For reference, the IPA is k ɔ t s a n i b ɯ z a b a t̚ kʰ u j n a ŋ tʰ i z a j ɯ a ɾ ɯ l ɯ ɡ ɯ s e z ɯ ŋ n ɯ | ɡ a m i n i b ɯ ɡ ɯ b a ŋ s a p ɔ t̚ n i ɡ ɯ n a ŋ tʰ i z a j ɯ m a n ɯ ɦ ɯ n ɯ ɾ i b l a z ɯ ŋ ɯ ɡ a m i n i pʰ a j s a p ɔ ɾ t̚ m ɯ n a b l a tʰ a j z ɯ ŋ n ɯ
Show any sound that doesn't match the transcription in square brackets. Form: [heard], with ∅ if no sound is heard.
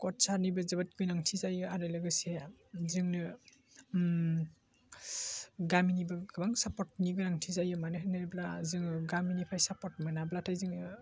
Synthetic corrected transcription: k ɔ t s a n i b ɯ z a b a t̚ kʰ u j n a ŋ tʰ i z a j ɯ a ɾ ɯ l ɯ ɡ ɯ s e z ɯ ŋ n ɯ | ɡ a m i n i b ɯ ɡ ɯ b a ŋ s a p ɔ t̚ n i ɡ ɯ n a ŋ tʰ i z a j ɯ m a n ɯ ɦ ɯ n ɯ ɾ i b l a z ɯ ŋ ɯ ɡ a m i n i pʰ a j s a p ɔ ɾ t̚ m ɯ n a b l a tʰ a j z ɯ ŋ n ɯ